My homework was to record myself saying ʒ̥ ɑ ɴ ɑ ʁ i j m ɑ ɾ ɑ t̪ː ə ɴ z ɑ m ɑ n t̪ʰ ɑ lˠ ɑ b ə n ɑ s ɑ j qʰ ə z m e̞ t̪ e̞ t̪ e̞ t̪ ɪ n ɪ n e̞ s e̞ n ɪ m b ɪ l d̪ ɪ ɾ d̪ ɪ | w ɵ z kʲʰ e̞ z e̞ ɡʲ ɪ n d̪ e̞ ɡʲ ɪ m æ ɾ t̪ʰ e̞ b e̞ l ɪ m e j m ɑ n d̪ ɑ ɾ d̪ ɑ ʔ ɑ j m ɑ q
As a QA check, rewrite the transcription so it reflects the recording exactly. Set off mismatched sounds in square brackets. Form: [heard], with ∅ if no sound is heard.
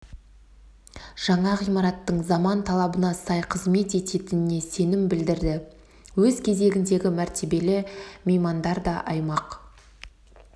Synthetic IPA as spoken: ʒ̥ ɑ ɴ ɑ ʁ i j m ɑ ɾ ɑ t̪ː ə ɴ z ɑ m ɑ n t̪ʰ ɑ lˠ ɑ b ə n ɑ s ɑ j qʰ ə z m e̞ t̪ e̞ t̪ e̞ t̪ ɪ n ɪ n e̞ s e̞ n ɪ m b ɪ l d̪ ɪ ɾ d̪ ɪ | w ɵ z kʲʰ e̞ z e̞ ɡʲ ɪ n d̪ e̞ ɡʲ ɪ m æ ɾ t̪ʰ e̞ b e̞ l ɪ m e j m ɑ n d̪ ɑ ɾ d̪ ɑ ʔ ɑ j m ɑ q